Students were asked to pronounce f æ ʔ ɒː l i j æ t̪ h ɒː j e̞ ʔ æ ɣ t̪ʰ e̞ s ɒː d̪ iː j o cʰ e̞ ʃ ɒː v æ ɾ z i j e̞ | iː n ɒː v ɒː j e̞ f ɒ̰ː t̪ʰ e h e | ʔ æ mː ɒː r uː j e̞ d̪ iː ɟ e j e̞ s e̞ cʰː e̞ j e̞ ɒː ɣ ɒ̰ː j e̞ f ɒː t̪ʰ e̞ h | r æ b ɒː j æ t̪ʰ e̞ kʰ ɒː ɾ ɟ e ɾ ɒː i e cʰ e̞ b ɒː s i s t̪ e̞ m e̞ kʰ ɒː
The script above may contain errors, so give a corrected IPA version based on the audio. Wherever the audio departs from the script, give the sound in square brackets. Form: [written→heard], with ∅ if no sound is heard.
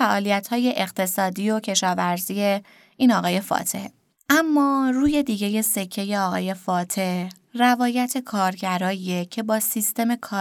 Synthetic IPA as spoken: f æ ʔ ɒː l i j æ t̪ h ɒː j e̞ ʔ [æ→e] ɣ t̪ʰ e̞ s ɒː d̪ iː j o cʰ e̞ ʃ ɒː v æ ɾ z i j e̞ | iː n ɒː [v→ɣ] ɒː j e̞ f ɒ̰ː t̪ʰ e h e | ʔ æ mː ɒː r uː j e̞ d̪ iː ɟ e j e̞ s e̞ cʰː e̞ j e̞ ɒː ɣ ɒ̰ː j e̞ f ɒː t̪ʰ e̞ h | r æ [b→v] ɒː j æ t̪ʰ e̞ kʰ ɒː ɾ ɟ [e→æ] ɾ ɒː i e cʰ e̞ b ɒː s i s t̪ e̞ m e̞ kʰ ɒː